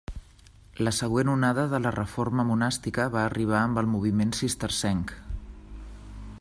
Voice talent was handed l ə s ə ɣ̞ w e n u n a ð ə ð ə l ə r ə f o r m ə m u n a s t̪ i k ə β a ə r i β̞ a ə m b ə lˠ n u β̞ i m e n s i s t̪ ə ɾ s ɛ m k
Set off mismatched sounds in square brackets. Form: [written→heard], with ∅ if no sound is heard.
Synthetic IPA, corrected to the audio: l ə s ə ɣ̞ w e n u n a ð ə ð ə l ə r ə f o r m ə m u n a s t̪ i k ə β a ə r i β̞ a ə m b ə lˠ [n→m] u β̞ i m e n s i s t̪ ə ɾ s ɛ [m→ŋ] k

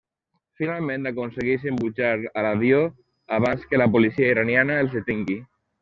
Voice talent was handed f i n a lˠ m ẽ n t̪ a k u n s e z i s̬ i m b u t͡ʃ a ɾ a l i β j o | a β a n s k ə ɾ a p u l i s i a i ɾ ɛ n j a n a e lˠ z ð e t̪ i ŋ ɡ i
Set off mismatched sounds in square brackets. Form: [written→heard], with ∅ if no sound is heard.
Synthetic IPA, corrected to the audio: f i n a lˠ m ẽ n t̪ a k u n s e [z→ɣ] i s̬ i m b u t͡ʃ a ɾ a l [i→a] β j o | a β a n s k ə [ɾ→l] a p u l i s i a i ɾ [ɛ→a] n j a n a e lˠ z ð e t̪ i ŋ ɡ i

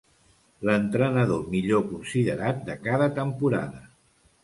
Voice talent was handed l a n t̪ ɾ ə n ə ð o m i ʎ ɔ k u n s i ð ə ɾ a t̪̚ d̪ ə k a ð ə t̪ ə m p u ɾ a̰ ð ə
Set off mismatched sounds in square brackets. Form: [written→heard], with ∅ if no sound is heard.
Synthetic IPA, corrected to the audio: l [a→ə] n t̪ ɾ ə n ə ð o m i ʎ [ɔ→o] k u n s i ð ə ɾ a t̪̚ d̪ ə k a ð ə t̪ ə m p u ɾ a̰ ð ə

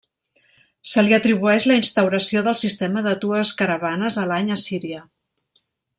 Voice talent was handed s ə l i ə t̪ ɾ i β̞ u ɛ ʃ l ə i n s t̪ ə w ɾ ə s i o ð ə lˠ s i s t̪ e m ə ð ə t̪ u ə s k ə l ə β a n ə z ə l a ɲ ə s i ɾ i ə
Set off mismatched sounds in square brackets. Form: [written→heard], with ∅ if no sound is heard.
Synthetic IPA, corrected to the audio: s ə l i ə t̪ ɾ i β̞ u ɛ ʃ l ə i n s t̪ ə w ɾ ə s i o ð ə lˠ s i s t̪ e m ə ð ə t̪ u ə s k ə [l→ɾ] ə β a n ə z ə l a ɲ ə s i ɾ i ə

